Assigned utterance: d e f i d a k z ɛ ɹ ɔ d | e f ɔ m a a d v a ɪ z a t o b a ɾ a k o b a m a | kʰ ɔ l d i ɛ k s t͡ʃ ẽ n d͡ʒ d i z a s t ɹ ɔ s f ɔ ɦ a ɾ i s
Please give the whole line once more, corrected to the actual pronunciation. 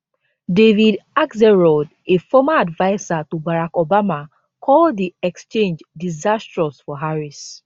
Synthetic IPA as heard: d e v i d a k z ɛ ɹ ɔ d | e f ɔ m a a d v a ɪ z a t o b a ɾ a k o b a m a | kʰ ɔ l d i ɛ k s t͡ʃ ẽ n d͡ʒ d i z a s t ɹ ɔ s f ɔ ɦ a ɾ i s

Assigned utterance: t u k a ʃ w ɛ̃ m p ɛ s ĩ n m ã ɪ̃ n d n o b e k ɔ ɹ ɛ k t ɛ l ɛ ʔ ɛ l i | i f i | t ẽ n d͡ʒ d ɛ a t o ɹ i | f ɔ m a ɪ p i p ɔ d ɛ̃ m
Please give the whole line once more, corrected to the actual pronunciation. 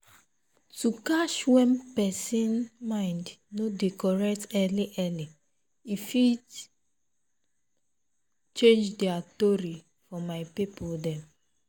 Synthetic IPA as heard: t u k a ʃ w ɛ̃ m p ɛ s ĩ n m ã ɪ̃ n d n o d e k ɔ ɹ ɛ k t ɛ l i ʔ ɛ l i | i f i | t͡ʃ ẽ n d͡ʒ d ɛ a t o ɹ i | f ɔ m a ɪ p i p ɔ d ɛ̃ m

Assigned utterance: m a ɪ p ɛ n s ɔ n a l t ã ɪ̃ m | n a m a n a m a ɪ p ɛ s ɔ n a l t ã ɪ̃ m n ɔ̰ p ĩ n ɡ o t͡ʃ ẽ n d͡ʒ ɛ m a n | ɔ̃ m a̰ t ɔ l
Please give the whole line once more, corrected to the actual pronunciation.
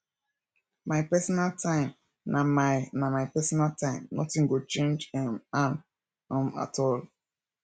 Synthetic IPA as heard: m a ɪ p ɛ s ɔ n a l t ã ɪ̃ m | n a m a n a m a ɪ p ɛ s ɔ n a l t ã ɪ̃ m n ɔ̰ t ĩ ŋ ɡ o t͡ʃ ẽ n d͡ʒ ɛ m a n | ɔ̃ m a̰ t ɔ l

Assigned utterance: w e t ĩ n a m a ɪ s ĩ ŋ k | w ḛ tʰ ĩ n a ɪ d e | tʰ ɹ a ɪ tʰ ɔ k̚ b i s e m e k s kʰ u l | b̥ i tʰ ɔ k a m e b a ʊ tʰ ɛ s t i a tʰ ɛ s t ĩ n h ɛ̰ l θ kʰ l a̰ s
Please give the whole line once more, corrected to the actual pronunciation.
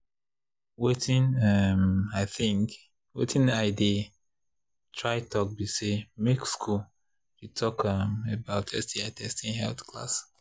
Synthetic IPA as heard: w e t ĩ n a m a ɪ θ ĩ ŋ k | w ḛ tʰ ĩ n a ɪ d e | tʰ ɹ a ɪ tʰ ɔ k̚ b i s e m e k s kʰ u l | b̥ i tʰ ɔ k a m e b a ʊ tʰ ɛ s t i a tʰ ɛ s t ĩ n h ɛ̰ l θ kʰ l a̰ s

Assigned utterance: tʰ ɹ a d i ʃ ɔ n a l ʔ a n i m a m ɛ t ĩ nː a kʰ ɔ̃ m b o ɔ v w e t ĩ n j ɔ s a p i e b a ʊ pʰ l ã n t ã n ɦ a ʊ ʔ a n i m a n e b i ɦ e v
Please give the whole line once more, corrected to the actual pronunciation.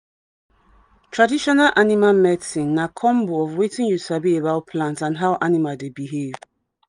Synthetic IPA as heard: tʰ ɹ a d i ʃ ɔ n a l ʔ a n i m a m ɛ t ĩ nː a kʰ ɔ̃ m b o ɔ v w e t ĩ n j u s a b i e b a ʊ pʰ l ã n t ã n ɦ a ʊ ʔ a n i m a d e b i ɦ e v

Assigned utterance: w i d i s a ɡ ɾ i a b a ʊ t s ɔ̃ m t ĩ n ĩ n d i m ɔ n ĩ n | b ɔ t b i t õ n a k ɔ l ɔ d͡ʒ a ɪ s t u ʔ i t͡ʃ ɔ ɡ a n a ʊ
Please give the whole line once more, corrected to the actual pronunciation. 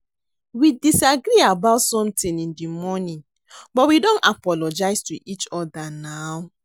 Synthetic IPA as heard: w i d i s a ɡ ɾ i a b a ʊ t s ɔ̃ m t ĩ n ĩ n d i m ɔ n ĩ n | b ɔ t w i d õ n a p ɔ l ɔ d͡ʒ a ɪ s t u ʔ i t͡ʃ ɔ d a n a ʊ

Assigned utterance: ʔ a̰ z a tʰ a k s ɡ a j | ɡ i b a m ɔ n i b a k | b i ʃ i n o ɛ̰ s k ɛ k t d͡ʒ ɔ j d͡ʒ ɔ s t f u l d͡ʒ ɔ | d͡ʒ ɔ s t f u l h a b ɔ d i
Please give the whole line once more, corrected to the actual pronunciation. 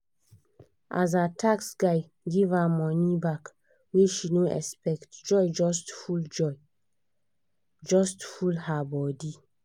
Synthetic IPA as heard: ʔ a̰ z a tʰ a k s ɡ a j | ɡ i v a m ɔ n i b a k | w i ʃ i n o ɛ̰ s p ɛ k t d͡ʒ ɔ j d͡ʒ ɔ s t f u l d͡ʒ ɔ | d͡ʒ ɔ s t f u l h a b ɔ d i

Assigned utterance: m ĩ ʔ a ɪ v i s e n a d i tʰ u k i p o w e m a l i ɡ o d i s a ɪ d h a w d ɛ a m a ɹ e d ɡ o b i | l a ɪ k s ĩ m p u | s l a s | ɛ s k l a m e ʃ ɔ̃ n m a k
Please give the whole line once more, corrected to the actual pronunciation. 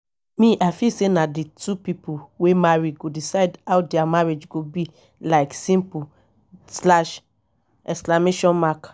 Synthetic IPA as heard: m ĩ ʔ a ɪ f i s e n a d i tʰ u p i p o w e m a ɹ i ɡ o d i s a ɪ d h a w d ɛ a m a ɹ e d͡ʒ ɡ o b i | l a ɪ k s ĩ m p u | s l a ʃ | ɛ s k l a m e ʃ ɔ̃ n m a k

